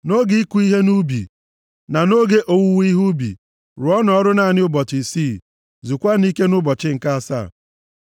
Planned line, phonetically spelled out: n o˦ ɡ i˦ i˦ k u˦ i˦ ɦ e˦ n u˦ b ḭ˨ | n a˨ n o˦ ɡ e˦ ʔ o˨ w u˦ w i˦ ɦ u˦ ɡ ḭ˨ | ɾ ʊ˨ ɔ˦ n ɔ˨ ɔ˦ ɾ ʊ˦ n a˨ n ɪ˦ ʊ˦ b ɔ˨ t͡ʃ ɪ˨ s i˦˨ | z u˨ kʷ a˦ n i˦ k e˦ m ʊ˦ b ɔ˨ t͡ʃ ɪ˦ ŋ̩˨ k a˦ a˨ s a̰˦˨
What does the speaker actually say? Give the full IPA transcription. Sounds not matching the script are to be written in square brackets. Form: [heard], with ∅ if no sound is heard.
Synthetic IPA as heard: n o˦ ɡ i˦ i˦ k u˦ i˦ ɦ e˦ n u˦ b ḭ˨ | n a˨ n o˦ ɡ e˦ ʔ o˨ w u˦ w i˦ ɦ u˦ [b] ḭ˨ | ɾ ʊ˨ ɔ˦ n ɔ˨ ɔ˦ ɾ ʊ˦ n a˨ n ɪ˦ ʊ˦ b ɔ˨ t͡ʃ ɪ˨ s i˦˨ | z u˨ kʷ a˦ n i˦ k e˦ [n] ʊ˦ b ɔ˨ t͡ʃ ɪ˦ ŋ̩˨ k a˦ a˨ s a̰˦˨